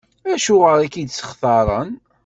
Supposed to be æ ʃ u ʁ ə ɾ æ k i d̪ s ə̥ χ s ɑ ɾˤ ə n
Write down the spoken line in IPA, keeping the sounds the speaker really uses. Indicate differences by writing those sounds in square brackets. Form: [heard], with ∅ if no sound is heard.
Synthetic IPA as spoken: æ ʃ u ʁ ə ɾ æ k i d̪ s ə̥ χ [θ] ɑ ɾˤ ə n